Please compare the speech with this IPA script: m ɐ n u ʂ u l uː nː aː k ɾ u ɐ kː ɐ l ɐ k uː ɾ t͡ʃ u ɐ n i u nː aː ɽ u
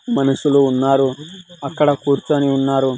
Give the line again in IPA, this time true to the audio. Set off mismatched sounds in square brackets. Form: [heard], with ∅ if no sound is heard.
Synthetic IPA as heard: m ɐ n u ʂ u l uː nː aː [∅] ɾ u ɐ kː ɐ [ɽ] ɐ k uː ɾ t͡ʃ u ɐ n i u nː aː [ɾ] u